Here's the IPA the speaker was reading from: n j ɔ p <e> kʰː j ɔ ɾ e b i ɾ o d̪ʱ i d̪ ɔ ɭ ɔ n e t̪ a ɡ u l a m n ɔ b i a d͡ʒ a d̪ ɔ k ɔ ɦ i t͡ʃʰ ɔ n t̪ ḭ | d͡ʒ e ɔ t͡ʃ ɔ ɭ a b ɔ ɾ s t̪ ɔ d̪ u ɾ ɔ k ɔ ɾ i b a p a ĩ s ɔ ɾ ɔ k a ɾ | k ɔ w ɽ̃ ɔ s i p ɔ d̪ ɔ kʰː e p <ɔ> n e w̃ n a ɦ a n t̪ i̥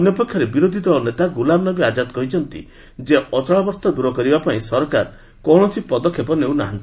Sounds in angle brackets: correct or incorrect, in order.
correct, correct

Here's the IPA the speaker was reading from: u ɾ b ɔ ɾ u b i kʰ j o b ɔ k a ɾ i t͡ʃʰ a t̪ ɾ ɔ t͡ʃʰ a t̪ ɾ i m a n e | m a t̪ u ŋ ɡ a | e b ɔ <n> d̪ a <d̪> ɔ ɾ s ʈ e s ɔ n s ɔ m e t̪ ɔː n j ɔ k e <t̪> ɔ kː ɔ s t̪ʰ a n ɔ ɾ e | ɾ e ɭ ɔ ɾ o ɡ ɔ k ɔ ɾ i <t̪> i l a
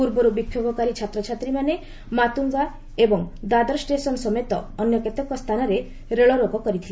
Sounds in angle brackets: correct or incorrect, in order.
incorrect, correct, correct, incorrect

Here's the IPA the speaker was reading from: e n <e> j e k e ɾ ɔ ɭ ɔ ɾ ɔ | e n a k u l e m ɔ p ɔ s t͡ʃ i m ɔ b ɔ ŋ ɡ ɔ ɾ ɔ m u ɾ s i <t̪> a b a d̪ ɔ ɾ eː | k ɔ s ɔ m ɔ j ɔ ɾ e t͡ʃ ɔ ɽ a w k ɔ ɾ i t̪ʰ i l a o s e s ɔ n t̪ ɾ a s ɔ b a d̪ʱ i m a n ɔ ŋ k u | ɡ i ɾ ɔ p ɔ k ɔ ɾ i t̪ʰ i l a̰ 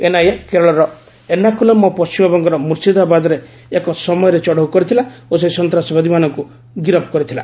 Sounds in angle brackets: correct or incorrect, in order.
incorrect, incorrect

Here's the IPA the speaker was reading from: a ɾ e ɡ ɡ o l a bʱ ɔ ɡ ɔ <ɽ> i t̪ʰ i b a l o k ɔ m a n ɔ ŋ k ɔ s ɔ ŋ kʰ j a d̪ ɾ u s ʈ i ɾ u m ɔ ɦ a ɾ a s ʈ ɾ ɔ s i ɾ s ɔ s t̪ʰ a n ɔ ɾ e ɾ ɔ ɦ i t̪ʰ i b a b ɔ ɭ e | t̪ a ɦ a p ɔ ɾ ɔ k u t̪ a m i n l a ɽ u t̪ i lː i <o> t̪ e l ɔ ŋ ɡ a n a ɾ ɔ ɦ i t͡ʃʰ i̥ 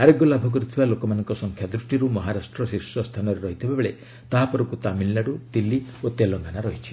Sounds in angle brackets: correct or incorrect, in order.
incorrect, correct

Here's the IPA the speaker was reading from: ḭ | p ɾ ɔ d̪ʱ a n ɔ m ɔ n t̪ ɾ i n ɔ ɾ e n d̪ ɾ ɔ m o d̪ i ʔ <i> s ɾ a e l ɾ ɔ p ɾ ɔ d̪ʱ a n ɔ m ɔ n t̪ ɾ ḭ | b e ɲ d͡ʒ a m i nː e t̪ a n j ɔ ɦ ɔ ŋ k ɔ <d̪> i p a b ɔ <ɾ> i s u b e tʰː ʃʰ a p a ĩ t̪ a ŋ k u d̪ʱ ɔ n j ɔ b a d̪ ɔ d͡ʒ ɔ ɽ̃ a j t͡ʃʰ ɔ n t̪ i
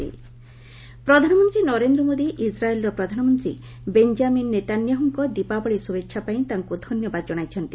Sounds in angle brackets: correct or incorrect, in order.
correct, correct, incorrect

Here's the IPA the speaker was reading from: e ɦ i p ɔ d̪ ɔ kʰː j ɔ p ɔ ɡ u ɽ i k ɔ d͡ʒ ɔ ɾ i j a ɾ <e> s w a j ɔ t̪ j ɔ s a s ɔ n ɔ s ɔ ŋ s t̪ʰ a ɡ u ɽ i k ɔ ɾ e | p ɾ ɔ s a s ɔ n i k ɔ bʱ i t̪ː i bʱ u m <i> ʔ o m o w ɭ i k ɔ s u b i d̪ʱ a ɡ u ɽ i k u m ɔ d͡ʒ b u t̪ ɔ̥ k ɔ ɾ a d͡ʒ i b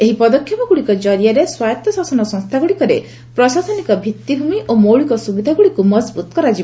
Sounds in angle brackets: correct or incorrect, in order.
correct, correct

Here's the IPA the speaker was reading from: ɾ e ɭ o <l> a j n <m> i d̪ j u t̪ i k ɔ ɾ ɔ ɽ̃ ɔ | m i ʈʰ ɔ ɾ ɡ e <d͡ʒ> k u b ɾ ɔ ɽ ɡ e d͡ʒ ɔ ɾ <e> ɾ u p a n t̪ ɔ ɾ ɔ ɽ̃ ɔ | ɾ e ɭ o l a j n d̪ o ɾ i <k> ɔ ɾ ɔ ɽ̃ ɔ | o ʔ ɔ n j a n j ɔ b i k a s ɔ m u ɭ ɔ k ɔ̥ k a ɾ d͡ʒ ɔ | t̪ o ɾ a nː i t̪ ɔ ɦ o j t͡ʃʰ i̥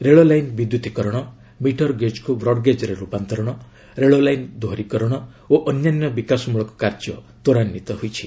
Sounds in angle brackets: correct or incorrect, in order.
correct, incorrect, correct, correct, correct

